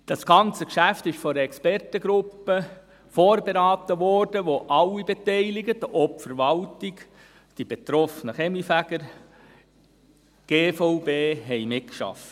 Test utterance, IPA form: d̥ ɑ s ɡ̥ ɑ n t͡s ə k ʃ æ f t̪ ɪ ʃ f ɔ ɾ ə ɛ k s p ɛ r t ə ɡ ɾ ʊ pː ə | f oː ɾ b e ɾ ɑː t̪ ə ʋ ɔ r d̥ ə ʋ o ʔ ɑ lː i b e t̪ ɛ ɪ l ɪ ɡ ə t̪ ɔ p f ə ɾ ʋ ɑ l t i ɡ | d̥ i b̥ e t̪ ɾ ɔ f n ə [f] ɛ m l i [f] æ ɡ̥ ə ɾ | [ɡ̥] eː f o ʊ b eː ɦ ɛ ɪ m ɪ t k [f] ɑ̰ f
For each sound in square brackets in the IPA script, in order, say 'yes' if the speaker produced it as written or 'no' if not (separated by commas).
no, yes, yes, no